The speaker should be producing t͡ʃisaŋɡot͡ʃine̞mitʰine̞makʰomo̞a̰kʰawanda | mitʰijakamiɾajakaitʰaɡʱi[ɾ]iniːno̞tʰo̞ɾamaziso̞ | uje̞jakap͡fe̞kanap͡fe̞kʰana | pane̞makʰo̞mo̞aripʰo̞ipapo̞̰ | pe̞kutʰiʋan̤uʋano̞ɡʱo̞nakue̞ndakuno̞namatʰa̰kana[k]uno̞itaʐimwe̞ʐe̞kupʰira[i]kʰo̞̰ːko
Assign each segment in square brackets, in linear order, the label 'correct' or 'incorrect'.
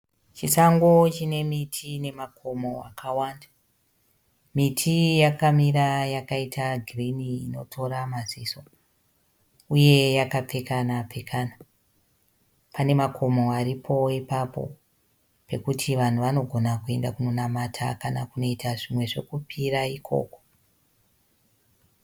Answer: incorrect, correct, correct

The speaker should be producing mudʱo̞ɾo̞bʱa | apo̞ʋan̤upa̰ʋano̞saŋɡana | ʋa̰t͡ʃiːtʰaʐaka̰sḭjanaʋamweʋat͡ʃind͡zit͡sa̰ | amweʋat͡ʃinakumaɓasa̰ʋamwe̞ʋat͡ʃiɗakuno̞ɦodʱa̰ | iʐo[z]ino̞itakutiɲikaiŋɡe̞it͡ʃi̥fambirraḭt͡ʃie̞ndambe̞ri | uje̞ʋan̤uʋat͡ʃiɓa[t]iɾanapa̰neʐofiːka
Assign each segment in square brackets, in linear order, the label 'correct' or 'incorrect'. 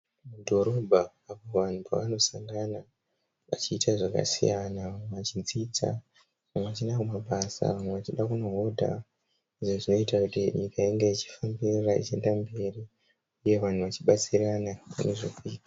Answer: incorrect, incorrect

